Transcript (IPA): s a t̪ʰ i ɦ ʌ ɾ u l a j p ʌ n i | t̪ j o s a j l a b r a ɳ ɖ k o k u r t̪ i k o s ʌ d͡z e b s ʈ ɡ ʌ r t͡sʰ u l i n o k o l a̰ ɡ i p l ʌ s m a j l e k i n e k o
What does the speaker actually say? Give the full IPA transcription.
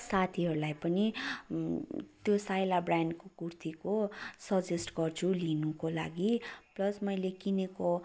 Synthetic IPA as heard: s a t̪ʰ i ɦ ʌ ɾ u l a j p ʌ n i | t̪ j o s a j l a b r a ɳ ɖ k o k u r t̪ i k o s ʌ d͡z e s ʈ ɡ ʌ r t͡sʰ u l i n u k o l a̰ ɡ i p l ʌ s m ʌ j l e k i n e k o